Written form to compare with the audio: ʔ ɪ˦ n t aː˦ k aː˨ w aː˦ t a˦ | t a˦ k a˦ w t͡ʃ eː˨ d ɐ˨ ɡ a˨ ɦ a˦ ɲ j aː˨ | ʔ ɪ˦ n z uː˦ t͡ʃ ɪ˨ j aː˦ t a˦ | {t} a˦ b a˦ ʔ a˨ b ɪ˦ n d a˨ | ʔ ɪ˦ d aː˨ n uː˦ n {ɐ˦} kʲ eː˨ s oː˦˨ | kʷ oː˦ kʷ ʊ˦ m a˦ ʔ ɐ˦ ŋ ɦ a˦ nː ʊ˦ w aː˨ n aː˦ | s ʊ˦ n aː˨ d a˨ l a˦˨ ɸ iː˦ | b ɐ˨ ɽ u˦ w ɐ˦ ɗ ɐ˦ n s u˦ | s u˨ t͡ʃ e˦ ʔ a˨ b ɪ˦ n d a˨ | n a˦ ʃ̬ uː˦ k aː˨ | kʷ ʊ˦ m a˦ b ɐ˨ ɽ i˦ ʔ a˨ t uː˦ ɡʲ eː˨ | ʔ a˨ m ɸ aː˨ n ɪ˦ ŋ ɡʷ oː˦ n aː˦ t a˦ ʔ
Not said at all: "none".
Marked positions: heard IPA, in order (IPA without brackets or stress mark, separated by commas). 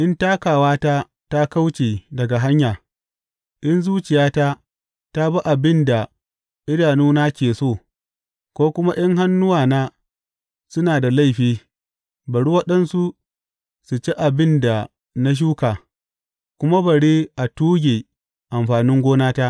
t, a˦